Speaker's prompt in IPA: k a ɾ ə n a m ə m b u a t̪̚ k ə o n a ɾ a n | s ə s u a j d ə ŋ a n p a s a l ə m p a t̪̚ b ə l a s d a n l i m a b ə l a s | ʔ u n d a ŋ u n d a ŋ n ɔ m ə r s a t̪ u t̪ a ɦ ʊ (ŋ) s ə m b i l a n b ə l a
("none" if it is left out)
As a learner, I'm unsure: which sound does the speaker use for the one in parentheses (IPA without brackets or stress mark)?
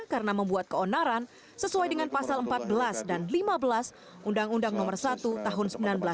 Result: n